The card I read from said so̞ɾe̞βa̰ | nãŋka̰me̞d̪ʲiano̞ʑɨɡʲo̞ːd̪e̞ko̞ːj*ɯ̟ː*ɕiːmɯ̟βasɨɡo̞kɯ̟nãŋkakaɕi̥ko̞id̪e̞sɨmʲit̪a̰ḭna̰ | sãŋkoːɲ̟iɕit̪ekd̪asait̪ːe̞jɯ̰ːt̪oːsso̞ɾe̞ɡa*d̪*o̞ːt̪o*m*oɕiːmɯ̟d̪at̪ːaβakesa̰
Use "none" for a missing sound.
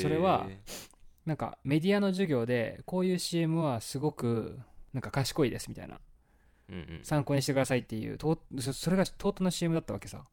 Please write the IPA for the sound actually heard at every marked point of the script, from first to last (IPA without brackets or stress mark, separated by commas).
ɯ̟ː, t̪, n